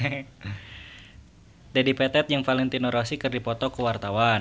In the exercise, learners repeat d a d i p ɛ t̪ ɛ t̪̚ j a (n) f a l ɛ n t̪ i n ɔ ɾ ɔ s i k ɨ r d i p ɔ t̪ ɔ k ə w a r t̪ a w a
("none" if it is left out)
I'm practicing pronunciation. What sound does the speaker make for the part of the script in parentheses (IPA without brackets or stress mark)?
ŋ